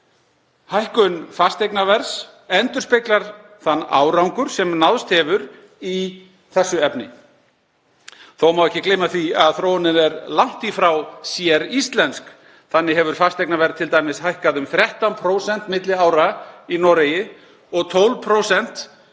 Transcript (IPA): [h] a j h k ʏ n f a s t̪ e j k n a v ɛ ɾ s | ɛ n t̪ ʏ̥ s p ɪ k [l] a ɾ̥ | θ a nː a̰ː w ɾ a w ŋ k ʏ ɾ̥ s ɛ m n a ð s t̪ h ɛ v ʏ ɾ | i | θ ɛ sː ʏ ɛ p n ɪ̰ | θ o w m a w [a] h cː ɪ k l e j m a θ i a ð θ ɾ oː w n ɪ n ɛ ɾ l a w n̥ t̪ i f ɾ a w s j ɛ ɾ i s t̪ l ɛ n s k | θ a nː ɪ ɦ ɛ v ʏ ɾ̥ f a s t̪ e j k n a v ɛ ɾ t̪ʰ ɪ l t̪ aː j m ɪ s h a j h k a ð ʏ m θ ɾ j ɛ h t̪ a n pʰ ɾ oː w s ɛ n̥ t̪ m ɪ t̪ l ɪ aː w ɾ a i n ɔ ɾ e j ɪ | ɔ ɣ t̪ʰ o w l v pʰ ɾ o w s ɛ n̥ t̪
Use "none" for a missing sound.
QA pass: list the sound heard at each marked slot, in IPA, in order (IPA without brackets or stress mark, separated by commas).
h, l, ɛ